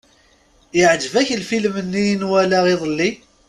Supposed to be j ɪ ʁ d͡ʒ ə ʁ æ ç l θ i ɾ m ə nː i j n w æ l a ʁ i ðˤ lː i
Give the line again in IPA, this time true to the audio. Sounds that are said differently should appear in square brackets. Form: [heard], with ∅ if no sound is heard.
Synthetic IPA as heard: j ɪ [ʕ] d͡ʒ ə [v] æ ç l [f] i [l] m ə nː i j n w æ l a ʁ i ðˤ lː i